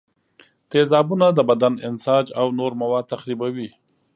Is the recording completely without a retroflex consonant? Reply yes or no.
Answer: yes